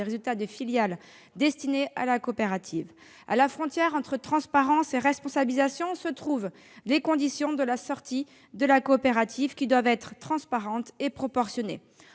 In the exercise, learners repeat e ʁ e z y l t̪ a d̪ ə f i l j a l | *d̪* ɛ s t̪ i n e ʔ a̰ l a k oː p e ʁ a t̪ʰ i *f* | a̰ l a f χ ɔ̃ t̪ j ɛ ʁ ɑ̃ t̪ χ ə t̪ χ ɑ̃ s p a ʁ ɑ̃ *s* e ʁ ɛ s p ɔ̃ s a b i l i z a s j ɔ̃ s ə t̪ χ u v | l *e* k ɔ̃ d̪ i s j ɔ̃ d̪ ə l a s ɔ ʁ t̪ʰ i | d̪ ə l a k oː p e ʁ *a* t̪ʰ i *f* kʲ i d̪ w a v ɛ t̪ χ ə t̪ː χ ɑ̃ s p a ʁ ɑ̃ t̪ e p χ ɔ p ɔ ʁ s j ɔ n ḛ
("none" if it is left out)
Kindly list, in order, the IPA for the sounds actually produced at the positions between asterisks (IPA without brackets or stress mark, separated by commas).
d̪, v, s, e, a, v